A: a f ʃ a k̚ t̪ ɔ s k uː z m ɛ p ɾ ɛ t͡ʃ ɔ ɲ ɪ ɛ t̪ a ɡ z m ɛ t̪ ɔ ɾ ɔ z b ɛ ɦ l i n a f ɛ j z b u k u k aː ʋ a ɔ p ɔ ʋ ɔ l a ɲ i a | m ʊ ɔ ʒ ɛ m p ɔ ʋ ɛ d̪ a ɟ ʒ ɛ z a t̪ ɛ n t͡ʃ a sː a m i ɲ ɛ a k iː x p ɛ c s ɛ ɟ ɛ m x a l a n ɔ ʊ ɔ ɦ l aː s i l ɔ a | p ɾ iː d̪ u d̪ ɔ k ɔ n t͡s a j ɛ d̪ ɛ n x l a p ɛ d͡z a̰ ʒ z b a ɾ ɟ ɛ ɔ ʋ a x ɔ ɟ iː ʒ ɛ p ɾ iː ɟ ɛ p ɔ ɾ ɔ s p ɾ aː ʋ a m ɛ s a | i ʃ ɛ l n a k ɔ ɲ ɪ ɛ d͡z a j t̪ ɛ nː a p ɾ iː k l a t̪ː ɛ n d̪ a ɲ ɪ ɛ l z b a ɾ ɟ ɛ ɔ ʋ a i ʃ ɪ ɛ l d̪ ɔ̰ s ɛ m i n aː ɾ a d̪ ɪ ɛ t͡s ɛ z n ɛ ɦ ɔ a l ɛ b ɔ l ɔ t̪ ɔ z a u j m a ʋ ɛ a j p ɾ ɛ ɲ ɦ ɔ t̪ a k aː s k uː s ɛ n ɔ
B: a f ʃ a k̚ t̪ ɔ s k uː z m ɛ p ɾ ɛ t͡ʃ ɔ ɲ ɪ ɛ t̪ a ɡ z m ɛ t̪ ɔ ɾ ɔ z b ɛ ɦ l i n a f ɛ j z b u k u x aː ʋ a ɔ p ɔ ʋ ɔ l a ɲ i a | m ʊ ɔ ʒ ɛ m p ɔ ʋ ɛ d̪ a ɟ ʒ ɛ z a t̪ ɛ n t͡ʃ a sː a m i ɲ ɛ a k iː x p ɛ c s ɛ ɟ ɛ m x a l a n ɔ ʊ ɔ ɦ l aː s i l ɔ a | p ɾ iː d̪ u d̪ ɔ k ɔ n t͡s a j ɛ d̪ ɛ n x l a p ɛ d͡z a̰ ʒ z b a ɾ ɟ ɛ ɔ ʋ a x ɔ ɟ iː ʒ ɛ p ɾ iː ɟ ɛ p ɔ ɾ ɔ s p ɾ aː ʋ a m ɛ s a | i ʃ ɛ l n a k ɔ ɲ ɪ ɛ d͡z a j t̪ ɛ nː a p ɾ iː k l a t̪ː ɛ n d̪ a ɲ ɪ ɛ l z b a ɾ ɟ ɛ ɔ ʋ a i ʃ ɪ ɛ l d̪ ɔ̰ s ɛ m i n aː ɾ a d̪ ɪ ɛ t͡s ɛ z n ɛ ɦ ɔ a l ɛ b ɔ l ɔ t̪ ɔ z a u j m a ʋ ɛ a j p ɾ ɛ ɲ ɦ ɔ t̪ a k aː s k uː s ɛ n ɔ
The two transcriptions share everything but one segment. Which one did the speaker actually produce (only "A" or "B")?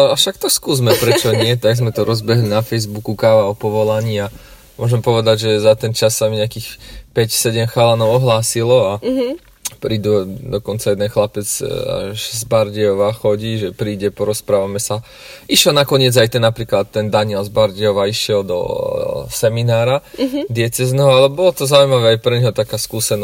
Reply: A